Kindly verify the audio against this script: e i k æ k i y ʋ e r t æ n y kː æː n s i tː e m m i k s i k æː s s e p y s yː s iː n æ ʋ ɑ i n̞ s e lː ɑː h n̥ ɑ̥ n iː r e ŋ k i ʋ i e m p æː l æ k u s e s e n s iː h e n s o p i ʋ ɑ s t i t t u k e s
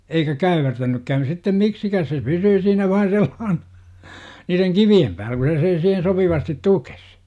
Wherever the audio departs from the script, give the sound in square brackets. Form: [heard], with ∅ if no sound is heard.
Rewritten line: e i k æ k [æ] y ʋ e r t æ n y kː æː n s i tː e m m i k s i k æː s s e p y s yː s iː n æ ʋ ɑ i n̞ s e lː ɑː h n̥ ɑ̥ n iː r e ŋ k i ʋ i e m p æː l æ k u s e s e n s iː h e n s o p i ʋ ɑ s t i t t u k e s